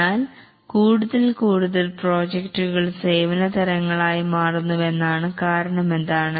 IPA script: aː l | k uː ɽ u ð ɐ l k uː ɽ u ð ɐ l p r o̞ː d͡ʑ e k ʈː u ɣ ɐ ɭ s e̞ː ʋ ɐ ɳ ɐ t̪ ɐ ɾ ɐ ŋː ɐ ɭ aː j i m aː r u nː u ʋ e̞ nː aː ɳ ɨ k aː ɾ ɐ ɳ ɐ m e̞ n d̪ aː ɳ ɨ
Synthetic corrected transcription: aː l | k uː ɽ u ð ɐ l k uː ɽ u ð ɐ l p r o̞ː d͡ʑ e k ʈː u ɣ ɐ ɭ s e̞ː ʋ ɐ n ɐ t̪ ɐ ɾ ɐ ŋː ɐ ɭ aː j i m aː r u nː u ʋ e̞ nː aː ɳ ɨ k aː ɾ ɐ ɳ ɐ m e̞ n d̪ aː ɳ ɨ

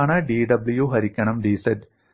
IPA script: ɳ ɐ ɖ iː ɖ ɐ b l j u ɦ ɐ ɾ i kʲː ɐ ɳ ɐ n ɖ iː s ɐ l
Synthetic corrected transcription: ɳ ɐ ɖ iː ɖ ɐ b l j u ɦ ɐ ɾ i kʲː ɐ ɳ ɐ m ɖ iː s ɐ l

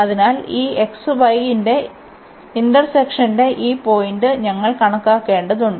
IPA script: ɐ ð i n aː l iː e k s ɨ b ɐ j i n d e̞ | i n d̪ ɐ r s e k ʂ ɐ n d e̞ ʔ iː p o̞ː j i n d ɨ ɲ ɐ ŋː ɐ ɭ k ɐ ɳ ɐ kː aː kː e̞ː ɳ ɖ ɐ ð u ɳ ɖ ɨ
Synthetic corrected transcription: ɐ ð i n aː l iː e k s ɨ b ɐ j i n d e̞ | i n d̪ ɐ r s e k ʂ ɐ n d e̞ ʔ iː p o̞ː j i n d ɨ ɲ ɐ ŋː ɐ ɭ k ɐ ɳ ɐ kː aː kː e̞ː ɳ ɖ ɐ ð u ɳ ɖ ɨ

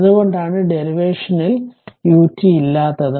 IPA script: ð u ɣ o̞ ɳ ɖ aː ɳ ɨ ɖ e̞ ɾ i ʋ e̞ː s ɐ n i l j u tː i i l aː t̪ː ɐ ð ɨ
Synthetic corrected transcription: ð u ɣ o̞ ɳ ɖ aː ɳ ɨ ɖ e̞ ɾ i ʋ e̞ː ʂ ɐ n i l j uː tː i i lː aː t̪ː ɐ ð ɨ

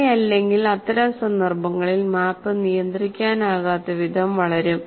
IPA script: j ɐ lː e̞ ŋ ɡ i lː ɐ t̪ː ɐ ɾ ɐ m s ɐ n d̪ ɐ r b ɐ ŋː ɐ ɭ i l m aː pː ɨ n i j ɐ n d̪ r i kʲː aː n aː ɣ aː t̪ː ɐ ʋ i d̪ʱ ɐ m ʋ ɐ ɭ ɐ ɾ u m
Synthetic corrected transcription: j ɐ lː e̞ ŋ ɡ i l ɐ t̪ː ɐ ɾ ɐ m s ɐ n d̪ ɐ r b ɐ ŋː ɐ ɭ i l m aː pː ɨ n i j ɐ n d̪ r i kʲː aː n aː ɣ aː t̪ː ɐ ʋ i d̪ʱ ɐ m ʋ ɐ ɭ ɐ ɾ u m

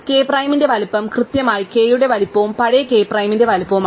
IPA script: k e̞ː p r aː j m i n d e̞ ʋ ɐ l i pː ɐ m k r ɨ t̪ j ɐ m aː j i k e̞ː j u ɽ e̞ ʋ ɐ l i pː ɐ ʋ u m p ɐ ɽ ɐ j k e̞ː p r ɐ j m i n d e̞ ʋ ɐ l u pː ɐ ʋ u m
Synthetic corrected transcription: k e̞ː p r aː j m i n d e̞ ʋ ɐ l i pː ɐ m k r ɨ t̪ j ɐ m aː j i k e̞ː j u ɽ e̞ ʋ ɐ l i pː ɐ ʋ u m p ɐ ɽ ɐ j k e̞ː p r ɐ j m i n d e̞ ʋ ɐ l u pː ɐ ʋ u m

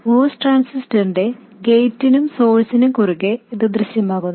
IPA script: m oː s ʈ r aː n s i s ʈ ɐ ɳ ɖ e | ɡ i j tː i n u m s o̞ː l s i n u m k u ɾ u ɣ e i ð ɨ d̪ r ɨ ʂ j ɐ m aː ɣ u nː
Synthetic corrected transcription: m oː s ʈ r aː n s i s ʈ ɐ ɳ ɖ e | ɡ e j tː i n u m s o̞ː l s i n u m k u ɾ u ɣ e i ð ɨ d̪ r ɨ ɕ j ɐ m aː ɣ u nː

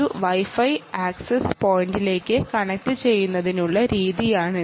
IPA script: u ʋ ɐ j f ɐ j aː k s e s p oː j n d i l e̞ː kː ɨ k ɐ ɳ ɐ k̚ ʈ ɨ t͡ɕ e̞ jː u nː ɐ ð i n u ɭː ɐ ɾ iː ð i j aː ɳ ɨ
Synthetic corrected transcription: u ʋ ɐ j f ɐ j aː k s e s p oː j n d i l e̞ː kː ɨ k ɐ ɳ ɐ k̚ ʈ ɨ t͡ɕ e̞ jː u nː ɐ ð i n u ɭː ɐ ɾ iː ð i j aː ɳ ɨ

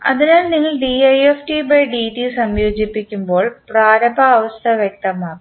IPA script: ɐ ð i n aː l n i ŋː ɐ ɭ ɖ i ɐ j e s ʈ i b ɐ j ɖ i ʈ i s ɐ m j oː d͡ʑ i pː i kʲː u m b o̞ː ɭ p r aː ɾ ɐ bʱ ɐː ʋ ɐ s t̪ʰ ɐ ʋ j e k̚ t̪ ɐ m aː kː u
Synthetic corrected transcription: ɐ ð i n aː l n i ŋː ɐ ɭ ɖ i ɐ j e f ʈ i b ɐ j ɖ i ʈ i s ɐ m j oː d͡ʑ i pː i kʲː u m b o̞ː ɭ p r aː ɾ ɐ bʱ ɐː ʋ ɐ s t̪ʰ ɐ ʋ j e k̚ t̪ ɐ m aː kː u

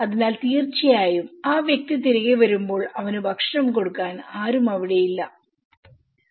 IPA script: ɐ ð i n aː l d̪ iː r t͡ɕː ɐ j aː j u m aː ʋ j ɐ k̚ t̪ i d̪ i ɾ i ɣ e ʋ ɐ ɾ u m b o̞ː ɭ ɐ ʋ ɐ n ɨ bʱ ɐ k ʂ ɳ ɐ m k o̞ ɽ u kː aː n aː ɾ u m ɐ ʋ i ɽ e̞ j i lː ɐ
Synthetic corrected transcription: ɐ ð i n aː l t̪ iː r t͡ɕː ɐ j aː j u m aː ʋ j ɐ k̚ t̪ i t̪ i ɾ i ɣ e ʋ ɐ ɾ u m b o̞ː ɭ ɐ ʋ ɐ n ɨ bʱ ɐ k ʂ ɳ ɐ m k o̞ ɽ u kː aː n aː ɾ u m ɐ ʋ i ɽ e̞ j i lː ɐ

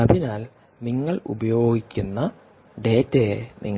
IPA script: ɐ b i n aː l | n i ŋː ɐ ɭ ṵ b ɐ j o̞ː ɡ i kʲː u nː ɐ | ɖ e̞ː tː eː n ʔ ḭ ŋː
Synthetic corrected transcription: ɐ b i n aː l | n i ŋː ɐ ɭ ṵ b ɐ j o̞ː ɡ i kʲː u nː ɐ | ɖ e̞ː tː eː n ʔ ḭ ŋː

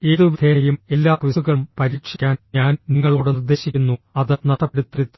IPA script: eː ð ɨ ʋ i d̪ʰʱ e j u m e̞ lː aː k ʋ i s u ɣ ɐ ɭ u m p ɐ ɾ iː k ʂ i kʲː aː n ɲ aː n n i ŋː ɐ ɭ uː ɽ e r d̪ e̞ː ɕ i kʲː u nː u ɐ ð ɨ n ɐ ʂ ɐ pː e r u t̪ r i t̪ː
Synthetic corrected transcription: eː ð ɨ ʋ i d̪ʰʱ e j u m e̞ lː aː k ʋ i s u ɣ ɐ ɭ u m p ɐ ɾ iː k ʂ i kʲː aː n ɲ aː n n i ŋː ɐ ɭ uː ɽ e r d̪ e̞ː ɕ i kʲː u nː u ɐ ð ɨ n ɐ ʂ ɐ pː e ɽ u t̪ r i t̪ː

